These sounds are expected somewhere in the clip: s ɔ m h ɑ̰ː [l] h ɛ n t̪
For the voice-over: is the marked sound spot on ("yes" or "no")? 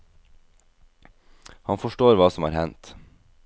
no